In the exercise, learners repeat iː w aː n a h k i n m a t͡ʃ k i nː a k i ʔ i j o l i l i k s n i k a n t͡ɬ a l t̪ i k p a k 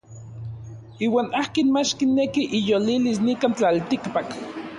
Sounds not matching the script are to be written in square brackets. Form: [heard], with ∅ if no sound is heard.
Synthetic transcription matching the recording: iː w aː n a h k i n m a t͡ʃ k i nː [e] k i ʔ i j o l i l i [∅] s n i k a n t͡ɬ a l t̪ i k p a k